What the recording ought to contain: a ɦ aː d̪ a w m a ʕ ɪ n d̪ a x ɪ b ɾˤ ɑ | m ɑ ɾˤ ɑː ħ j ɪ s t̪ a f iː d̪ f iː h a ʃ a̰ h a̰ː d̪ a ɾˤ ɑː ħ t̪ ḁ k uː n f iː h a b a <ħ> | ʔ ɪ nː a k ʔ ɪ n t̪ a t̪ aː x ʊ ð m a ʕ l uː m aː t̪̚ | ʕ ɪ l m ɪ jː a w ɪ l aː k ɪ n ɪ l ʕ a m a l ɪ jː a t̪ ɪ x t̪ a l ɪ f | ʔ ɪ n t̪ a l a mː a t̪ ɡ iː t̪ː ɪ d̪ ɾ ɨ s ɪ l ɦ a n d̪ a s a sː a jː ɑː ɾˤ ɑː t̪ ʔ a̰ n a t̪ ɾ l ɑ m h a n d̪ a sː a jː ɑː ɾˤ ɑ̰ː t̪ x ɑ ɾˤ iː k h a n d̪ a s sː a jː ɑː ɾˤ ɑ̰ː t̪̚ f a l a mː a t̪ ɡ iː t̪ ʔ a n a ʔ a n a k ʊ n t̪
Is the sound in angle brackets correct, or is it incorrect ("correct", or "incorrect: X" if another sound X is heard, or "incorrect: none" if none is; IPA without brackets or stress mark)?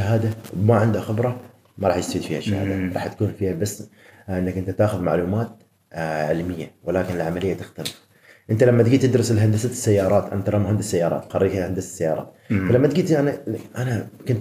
incorrect: s